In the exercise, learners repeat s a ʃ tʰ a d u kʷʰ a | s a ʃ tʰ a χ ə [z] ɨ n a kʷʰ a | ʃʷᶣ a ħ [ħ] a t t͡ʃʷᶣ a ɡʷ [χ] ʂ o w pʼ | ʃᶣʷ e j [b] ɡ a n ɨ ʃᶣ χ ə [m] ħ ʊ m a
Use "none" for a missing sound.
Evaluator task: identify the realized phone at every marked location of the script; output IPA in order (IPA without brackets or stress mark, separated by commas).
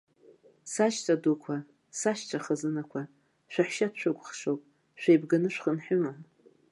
z, ʃ, χ, b, n